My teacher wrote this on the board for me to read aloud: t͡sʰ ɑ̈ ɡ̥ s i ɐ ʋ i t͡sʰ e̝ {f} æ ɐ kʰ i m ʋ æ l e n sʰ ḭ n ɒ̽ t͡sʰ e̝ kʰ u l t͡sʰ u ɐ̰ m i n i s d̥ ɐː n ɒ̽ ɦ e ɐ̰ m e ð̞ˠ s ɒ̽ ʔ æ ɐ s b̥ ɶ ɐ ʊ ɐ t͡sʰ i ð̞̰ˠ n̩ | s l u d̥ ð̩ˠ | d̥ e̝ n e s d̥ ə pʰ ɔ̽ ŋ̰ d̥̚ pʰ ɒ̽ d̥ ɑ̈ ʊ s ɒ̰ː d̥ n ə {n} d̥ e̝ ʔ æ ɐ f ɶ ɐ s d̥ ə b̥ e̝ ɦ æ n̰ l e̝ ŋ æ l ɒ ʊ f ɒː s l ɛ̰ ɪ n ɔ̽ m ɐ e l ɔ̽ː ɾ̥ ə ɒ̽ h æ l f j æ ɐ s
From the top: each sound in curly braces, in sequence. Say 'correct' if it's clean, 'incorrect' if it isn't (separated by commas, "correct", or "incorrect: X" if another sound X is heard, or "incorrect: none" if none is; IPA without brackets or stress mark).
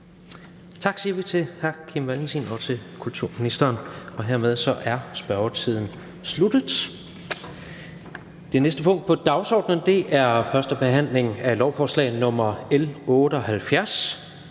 incorrect: h, correct